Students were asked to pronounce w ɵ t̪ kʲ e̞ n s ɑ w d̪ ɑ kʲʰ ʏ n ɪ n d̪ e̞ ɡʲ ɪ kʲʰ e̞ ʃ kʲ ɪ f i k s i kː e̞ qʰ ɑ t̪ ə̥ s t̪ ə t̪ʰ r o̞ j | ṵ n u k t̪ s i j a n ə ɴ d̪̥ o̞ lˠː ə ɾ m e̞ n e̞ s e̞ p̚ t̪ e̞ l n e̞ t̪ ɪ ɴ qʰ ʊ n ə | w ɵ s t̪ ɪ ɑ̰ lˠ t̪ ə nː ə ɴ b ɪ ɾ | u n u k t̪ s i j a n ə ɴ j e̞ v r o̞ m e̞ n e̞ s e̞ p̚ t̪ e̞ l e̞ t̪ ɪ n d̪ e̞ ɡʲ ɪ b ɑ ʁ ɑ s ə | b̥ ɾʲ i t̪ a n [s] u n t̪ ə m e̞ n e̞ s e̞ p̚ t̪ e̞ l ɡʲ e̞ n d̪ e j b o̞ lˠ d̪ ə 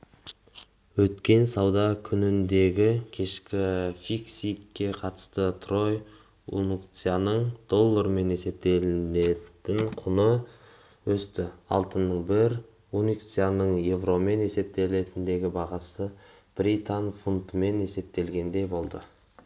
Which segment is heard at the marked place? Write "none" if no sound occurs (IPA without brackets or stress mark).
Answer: f